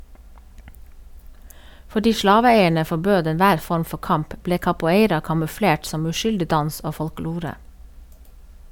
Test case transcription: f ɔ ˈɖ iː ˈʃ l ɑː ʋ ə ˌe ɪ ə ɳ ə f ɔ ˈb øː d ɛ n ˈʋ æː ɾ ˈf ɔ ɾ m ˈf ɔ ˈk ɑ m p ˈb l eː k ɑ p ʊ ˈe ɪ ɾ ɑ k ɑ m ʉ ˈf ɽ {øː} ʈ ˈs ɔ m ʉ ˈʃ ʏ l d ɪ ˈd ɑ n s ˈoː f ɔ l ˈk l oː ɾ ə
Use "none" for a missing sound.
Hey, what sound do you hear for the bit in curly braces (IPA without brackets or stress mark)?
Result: eː